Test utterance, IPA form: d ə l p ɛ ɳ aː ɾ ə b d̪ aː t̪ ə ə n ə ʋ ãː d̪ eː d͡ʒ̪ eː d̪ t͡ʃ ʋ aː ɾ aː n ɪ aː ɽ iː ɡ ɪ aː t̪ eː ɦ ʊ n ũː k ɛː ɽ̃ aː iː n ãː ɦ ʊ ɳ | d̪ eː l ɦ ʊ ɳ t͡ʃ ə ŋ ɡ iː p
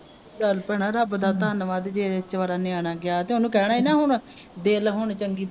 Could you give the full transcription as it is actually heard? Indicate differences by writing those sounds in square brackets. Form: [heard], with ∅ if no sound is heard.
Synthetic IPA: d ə l p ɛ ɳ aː ɾ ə b d̪ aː t̪ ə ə n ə ʋ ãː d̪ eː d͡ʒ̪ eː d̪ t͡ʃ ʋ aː ɾ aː n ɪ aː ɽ [aː] ɡ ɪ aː t̪ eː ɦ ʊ n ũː k ɛː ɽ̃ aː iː n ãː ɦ ʊ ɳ | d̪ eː l ɦ ʊ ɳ t͡ʃ ə ŋ ɡ iː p